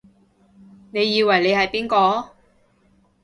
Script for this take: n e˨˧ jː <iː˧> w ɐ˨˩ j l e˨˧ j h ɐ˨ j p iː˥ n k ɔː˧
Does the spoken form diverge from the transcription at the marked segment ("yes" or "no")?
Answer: no